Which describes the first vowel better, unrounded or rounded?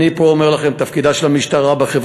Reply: unrounded